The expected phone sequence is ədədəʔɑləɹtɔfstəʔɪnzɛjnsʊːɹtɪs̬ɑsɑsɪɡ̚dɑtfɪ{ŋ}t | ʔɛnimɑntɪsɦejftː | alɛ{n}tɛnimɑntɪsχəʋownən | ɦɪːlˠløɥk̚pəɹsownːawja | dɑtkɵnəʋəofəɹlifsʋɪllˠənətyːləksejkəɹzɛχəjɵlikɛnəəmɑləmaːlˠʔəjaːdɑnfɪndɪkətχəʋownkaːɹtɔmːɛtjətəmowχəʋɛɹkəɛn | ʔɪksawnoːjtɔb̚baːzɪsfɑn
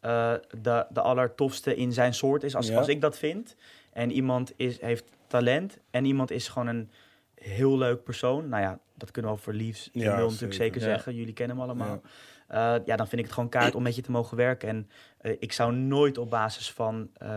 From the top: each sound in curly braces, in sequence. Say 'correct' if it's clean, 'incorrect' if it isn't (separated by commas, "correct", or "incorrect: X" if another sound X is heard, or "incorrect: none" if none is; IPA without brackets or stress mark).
incorrect: n, correct